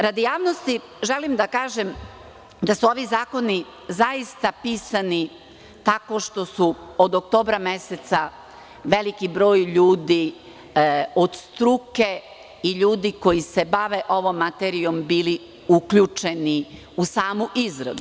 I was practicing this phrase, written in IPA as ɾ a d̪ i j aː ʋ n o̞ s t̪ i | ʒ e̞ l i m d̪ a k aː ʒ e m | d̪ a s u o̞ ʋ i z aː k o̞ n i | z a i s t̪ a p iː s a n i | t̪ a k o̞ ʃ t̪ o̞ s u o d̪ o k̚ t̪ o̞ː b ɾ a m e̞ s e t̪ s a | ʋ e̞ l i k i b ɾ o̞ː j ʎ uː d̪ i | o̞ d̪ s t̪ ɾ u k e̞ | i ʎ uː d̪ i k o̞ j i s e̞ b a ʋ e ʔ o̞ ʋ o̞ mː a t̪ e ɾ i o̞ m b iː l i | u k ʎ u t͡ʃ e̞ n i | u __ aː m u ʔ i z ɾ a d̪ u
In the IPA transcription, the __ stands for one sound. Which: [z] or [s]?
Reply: s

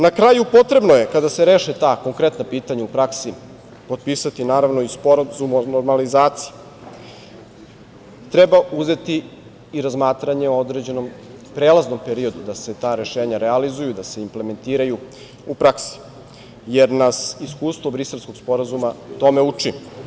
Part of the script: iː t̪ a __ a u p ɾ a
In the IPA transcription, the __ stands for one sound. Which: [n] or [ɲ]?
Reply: ɲ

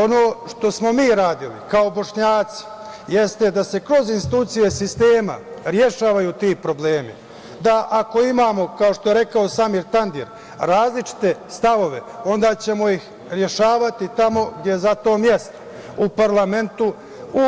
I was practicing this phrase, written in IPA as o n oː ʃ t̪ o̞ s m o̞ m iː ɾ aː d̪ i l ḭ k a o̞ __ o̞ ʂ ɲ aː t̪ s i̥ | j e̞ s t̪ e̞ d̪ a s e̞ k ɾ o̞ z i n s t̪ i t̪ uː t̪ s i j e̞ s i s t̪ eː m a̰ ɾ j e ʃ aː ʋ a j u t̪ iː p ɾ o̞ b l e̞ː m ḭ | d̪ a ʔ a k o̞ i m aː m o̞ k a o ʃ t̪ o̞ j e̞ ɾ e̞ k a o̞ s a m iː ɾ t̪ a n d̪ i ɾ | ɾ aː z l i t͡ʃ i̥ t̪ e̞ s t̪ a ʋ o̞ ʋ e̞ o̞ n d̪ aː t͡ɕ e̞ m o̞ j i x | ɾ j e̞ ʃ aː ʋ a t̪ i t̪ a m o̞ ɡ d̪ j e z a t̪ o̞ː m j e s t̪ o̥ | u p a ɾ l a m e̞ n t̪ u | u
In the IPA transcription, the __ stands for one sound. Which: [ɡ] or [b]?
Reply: b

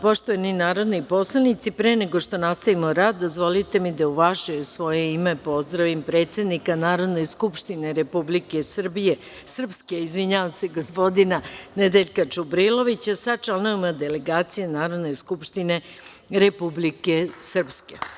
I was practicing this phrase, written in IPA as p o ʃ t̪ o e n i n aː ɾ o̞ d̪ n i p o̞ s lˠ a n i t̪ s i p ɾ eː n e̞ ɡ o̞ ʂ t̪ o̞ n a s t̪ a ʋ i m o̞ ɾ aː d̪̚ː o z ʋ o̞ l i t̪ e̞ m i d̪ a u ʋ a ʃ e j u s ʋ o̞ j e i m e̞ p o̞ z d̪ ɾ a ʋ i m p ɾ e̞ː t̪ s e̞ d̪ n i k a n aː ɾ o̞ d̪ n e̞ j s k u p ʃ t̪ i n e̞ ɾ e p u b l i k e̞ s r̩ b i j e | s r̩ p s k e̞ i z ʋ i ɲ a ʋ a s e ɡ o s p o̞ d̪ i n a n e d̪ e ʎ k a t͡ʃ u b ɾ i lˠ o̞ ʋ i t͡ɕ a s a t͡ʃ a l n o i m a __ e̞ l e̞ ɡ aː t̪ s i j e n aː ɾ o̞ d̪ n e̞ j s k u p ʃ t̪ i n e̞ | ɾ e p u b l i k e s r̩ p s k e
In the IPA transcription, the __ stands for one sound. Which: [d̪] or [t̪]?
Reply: d̪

